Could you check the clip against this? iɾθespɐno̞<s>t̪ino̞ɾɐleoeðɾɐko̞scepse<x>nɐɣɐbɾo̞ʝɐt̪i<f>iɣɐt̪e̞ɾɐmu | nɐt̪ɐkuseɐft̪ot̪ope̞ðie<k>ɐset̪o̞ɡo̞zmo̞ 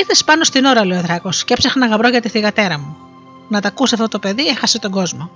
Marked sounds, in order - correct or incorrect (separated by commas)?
correct, correct, incorrect, incorrect